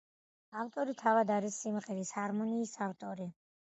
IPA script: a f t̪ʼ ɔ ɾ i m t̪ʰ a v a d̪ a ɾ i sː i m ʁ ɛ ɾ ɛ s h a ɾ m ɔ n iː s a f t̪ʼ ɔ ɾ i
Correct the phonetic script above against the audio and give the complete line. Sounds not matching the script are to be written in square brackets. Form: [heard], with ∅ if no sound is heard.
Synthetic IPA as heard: a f t̪ʼ ɔ ɾ i [∅] t̪ʰ a v a d̪ a ɾ i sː i m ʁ ɛ ɾ [i] s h a ɾ m ɔ n iː s a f t̪ʼ ɔ ɾ i